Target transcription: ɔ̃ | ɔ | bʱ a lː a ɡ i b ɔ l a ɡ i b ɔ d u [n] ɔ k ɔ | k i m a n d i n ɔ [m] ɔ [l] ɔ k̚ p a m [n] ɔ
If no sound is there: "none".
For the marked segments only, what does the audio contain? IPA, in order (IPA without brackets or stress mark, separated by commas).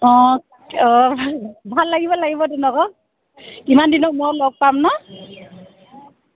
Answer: n, m, l, n